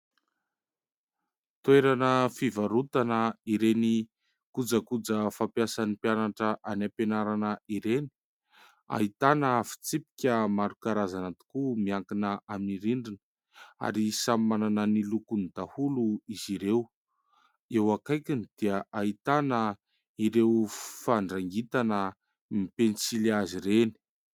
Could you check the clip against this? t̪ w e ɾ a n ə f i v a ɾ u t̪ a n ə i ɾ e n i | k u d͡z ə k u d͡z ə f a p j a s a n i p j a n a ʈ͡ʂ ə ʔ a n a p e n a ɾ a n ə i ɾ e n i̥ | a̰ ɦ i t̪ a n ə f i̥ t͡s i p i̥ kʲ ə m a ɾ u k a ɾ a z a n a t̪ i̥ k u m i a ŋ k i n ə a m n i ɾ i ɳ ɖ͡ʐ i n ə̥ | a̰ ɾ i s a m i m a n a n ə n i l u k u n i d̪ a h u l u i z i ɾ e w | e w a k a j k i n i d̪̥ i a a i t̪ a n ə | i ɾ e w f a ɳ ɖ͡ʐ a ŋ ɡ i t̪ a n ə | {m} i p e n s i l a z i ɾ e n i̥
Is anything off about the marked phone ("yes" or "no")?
no